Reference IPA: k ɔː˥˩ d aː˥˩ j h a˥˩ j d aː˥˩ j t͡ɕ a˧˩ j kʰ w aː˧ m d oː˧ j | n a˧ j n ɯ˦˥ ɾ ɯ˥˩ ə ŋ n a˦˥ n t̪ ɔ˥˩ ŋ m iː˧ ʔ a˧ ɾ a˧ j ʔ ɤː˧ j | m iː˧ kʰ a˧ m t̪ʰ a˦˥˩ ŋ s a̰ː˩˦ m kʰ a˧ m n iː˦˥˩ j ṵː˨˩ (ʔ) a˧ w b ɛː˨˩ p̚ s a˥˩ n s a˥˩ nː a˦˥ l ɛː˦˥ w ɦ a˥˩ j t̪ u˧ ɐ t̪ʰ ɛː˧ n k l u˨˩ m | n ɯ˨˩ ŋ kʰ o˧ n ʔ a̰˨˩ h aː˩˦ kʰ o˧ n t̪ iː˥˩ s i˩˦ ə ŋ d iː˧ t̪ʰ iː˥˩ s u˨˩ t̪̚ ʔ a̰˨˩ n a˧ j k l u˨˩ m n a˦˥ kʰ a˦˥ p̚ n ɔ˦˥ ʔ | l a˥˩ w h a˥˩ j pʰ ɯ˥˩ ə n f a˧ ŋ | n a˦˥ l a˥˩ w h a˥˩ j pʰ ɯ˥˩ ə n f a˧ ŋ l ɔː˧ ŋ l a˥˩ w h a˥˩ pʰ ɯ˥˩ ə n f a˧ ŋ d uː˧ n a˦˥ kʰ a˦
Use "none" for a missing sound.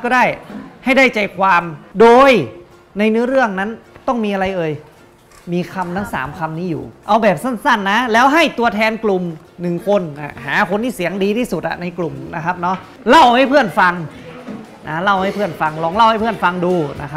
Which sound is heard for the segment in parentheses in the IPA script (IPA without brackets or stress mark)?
ʔ